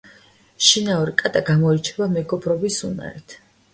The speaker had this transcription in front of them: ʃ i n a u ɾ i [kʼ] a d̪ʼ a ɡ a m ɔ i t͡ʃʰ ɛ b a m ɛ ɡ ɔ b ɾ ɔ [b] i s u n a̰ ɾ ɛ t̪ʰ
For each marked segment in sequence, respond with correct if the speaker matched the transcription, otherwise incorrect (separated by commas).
correct, correct